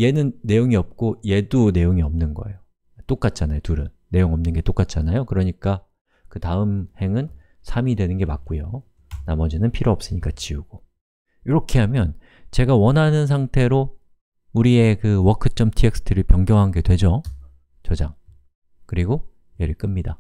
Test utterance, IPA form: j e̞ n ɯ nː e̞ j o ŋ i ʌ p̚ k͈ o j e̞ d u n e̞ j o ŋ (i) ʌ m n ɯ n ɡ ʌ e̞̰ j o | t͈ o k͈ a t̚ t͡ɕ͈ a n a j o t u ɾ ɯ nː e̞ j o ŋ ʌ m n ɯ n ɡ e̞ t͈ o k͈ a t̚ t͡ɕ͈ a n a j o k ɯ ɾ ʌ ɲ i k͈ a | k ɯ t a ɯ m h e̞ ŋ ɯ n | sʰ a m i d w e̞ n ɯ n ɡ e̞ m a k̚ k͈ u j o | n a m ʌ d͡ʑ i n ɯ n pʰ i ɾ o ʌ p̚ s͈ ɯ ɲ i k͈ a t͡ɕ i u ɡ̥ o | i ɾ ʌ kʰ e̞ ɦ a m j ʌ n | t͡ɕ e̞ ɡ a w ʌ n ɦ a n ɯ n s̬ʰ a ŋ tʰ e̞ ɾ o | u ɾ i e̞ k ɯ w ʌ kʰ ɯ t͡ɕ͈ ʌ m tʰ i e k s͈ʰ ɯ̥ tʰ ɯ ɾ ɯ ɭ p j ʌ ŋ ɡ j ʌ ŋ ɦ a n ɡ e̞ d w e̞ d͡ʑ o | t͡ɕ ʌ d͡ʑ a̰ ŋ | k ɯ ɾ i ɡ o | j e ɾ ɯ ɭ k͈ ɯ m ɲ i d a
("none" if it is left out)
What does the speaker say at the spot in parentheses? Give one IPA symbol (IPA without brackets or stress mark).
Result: i